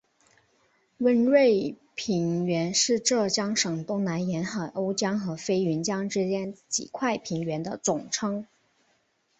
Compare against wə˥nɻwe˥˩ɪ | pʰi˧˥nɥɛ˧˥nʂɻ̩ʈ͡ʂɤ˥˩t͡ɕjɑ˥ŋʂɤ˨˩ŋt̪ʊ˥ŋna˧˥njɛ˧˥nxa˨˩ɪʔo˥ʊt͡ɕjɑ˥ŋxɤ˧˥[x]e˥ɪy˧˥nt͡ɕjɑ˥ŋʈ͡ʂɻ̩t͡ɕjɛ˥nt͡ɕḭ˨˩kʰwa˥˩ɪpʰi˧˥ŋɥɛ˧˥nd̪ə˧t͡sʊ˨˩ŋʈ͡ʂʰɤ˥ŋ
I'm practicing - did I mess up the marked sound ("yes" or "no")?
yes